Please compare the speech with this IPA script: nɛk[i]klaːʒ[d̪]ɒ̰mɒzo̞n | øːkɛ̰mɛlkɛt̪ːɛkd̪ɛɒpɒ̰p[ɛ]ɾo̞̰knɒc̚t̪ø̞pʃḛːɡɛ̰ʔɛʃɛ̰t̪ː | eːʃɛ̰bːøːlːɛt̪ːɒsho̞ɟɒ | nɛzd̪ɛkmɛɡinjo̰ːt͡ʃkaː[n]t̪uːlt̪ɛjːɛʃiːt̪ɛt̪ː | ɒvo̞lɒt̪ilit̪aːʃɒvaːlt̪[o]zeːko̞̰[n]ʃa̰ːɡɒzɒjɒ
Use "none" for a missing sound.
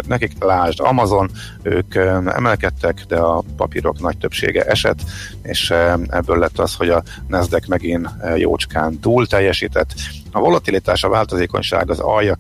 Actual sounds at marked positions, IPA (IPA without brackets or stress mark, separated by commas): i, d̪, i, n, o, ɲ